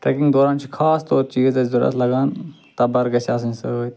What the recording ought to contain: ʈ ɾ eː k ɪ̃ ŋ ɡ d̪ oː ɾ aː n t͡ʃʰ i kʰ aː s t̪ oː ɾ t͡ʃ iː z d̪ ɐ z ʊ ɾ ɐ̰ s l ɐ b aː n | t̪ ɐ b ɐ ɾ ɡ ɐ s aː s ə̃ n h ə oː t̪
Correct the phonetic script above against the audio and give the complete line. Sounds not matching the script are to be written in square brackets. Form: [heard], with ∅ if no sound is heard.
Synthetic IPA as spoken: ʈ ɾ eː k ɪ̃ ŋ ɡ d̪ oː ɾ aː n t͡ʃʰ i kʰ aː s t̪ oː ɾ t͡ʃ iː z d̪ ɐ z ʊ ɾ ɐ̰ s l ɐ [ɡ] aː n | t̪ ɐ b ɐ ɾ ɡ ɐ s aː s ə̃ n [s] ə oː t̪